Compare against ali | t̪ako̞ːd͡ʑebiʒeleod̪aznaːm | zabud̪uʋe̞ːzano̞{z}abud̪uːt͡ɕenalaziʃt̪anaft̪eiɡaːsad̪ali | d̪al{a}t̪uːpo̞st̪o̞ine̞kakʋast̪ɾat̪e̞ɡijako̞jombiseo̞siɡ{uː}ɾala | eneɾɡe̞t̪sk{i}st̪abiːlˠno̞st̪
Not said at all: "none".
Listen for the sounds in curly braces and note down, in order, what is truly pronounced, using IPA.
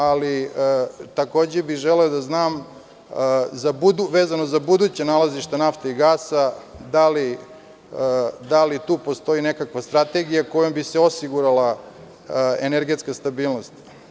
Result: z, i, u, a

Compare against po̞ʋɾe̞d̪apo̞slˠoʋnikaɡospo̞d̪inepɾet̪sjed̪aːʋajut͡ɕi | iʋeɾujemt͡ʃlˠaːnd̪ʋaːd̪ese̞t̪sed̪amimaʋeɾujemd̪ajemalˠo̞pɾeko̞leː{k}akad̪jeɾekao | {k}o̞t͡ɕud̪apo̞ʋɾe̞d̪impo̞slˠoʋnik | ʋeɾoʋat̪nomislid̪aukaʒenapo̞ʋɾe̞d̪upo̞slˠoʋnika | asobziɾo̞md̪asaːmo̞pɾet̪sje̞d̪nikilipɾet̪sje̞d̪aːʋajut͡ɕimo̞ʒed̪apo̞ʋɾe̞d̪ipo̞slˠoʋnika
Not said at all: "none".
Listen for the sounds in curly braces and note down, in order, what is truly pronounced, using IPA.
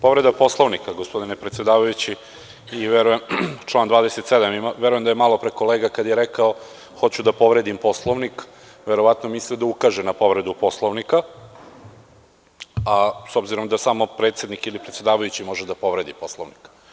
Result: ɡ, x

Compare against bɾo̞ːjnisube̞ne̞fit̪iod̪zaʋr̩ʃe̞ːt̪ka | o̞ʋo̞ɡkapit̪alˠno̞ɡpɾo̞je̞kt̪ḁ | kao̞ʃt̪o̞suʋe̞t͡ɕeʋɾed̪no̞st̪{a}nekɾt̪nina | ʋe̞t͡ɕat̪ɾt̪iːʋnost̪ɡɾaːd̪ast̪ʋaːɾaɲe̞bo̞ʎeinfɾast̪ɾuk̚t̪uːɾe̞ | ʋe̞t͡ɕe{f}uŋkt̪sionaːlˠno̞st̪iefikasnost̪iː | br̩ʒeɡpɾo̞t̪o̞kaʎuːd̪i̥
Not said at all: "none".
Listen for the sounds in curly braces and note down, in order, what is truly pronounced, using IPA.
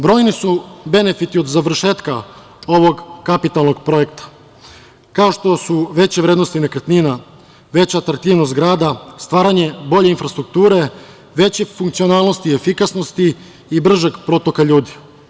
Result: i, f

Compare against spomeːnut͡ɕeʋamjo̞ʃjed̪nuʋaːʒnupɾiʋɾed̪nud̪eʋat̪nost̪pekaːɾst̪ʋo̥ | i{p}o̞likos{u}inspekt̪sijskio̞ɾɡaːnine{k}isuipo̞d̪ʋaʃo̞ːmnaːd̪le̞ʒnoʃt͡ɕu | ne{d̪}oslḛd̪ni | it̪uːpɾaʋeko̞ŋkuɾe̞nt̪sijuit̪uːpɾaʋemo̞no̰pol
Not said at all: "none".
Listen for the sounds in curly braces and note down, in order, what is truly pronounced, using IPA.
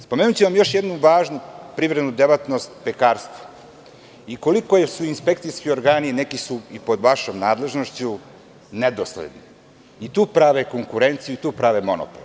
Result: k, u, k, d̪

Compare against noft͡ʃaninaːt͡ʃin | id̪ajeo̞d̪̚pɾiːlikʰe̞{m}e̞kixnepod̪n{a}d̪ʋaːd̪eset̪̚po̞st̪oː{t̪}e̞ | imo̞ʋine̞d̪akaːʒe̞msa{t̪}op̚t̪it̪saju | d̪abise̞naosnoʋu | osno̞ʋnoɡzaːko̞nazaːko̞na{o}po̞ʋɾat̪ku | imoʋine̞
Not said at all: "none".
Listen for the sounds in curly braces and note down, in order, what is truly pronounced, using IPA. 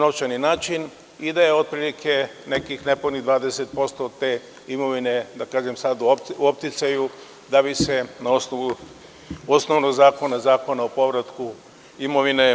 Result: n, i, t̪, d̪, o

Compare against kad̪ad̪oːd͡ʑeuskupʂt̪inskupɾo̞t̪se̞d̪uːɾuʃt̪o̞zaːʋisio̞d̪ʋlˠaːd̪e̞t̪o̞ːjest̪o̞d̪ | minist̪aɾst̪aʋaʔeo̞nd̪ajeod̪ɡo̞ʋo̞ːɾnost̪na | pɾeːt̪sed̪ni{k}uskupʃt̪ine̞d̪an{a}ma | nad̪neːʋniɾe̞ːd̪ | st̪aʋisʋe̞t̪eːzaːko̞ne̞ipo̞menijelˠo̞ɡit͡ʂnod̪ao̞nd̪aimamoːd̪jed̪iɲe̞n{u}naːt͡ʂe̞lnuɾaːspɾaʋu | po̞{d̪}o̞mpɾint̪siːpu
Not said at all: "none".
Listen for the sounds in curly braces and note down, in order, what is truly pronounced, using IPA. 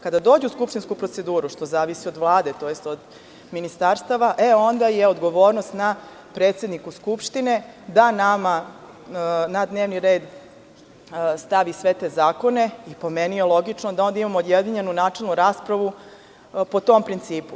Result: k, a, u, t̪

